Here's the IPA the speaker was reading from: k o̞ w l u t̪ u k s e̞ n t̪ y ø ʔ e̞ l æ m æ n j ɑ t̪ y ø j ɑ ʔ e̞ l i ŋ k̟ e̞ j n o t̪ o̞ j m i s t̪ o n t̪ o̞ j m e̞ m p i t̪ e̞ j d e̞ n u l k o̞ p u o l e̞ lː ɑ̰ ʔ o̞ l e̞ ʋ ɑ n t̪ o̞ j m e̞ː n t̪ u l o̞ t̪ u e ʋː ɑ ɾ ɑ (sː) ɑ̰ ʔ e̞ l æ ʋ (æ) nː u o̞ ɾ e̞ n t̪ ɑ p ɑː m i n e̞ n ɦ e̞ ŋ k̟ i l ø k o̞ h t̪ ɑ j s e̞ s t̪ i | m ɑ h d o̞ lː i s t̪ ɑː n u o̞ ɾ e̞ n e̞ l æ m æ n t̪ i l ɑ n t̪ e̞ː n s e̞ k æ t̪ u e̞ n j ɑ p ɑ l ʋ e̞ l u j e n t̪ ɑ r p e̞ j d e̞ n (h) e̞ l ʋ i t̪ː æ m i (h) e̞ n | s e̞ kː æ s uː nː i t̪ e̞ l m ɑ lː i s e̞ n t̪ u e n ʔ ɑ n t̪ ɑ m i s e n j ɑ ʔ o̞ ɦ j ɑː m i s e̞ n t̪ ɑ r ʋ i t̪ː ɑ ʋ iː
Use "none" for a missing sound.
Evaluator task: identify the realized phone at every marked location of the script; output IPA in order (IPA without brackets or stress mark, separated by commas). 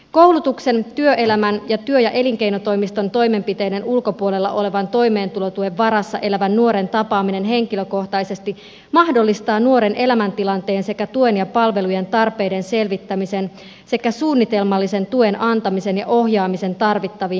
sː, æ, s, s